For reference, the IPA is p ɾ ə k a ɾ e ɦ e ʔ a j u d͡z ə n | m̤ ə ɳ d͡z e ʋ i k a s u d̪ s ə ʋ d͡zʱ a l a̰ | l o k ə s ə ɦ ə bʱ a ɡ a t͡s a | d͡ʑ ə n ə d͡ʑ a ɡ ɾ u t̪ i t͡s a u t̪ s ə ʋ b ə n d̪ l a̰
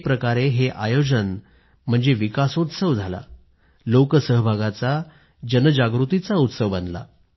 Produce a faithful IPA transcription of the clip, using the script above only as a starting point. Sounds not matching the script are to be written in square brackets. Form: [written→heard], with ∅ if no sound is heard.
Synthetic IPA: p ɾ ə k a ɾ e ɦ e ʔ a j [u→o] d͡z ə n | m̤ ə ɳ d͡z e ʋ i k a s u [d̪→t̪] s ə ʋ d͡zʱ a l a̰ | l o k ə s ə ɦ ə bʱ a ɡ a t͡s a | d͡ʑ ə n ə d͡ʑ a ɡ ɾ u t̪ i t͡s a u t̪ s ə ʋ b ə n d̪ l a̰

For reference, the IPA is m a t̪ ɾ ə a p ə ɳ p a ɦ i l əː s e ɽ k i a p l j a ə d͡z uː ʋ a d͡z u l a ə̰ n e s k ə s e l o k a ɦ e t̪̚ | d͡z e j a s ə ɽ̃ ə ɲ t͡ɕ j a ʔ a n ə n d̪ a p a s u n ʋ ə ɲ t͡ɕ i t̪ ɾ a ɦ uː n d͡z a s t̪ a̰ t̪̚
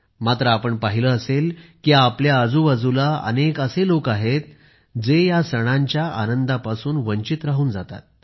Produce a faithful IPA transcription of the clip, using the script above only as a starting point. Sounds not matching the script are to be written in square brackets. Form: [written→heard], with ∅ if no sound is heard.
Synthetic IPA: m a t̪ ɾ ə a p ə ɳ p a ɦ i l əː s e [ɽ→l] k i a p l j a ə d͡z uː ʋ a d͡z u l a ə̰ n e [s→∅] k ə s e l o k a ɦ e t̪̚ | d͡z e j a s ə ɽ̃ [ə→a] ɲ t͡ɕ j a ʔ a n ə n d̪ a p a s [u→uː] n ʋ ə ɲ t͡ɕ i t̪ ɾ a ɦ uː n d͡z a [s→∅] t̪ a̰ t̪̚

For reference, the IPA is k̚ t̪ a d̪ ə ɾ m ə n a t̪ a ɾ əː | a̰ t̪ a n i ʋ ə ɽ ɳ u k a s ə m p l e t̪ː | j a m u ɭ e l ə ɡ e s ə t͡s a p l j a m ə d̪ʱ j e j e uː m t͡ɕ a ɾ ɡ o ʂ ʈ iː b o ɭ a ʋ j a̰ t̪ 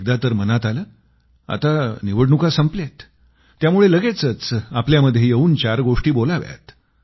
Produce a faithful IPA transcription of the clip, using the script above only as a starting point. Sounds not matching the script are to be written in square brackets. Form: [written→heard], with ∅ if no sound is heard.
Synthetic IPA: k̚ [t̪→d̪] a [d̪→t̪] ə ɾ m ə n a t̪ a [ɾ→l] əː | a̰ t̪ a n i ʋ ə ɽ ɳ u k a s ə m p l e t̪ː | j a m u ɭ e l ə ɡ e [s→t͡s] ə t͡s a p l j a m ə d̪ʱ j e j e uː [m→n] t͡ɕ a ɾ ɡ o ʂ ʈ iː b o [ɭ→l] a ʋ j a̰ t̪

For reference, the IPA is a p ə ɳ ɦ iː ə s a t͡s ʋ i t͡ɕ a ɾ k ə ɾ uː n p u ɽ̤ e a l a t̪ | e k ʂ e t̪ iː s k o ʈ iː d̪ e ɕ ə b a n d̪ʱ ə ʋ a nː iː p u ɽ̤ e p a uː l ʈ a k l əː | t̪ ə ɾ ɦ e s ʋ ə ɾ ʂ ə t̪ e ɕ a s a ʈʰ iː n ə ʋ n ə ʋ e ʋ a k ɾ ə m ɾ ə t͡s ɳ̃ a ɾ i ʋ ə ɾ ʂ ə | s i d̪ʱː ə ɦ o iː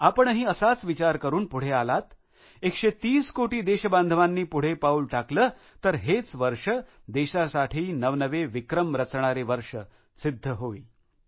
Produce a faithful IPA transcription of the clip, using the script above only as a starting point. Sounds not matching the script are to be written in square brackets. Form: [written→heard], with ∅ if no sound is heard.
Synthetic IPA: a p ə ɳ ɦ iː ə s a t͡s ʋ i t͡ɕ a ɾ k ə ɾ uː n p u ɽ̤ e a l a t̪ | e k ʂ e t̪ iː s k o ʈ iː d̪ e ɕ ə b a n d̪ʱ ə ʋ a nː iː p u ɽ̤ e p a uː l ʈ a k l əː | t̪ ə ɾ ɦ e [s→t͡s] ʋ ə ɾ ʂ ə [t̪→d̪] e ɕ a s a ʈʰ iː n ə ʋ n ə ʋ e ʋ [a→i] k ɾ ə m ɾ ə t͡s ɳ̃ a ɾ [i→e] ʋ ə ɾ ʂ ə | s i d̪ʱː ə ɦ o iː

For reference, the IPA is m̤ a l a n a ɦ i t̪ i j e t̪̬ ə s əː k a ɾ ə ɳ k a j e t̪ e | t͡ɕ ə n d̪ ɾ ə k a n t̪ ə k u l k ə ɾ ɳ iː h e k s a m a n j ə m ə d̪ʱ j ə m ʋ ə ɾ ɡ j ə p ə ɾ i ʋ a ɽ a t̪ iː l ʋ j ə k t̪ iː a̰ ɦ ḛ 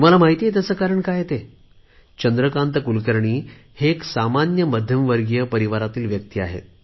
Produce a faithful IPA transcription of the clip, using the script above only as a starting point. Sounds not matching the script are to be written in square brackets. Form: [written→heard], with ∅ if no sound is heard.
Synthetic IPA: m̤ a l a [n→m] a ɦ i t̪ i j e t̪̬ ə s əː k a ɾ ə ɳ k a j e t̪ e | t͡ɕ ə n d̪ ɾ ə k a n t̪ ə k u l k ə ɾ ɳ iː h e k s a m a n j ə m ə d̪ʱ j ə m ʋ ə ɾ ɡ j ə p ə ɾ i ʋ a [ɽ→ɾ] a t̪ iː l ʋ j ə k t̪ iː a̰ ɦ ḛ

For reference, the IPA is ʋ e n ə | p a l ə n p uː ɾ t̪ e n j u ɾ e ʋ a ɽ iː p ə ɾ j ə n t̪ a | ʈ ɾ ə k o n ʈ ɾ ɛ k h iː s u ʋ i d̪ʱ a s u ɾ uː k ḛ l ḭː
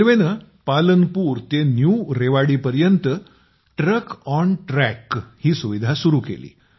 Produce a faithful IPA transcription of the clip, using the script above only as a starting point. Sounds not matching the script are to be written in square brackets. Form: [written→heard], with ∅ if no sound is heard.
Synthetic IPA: ʋ e n ə | p a l ə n p uː ɾ t̪ e n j u ɾ e ʋ a ɽ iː p ə ɾ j ə n t̪ [a→ə] | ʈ ɾ ə k [o→ɔ] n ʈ ɾ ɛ k h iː s u ʋ i d̪ʱ a s u ɾ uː k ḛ l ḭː

